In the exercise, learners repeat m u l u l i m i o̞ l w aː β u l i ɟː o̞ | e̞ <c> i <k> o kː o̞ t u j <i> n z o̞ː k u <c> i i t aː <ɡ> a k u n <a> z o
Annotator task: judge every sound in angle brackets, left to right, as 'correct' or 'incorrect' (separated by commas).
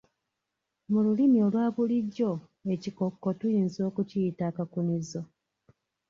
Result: correct, correct, incorrect, correct, incorrect, incorrect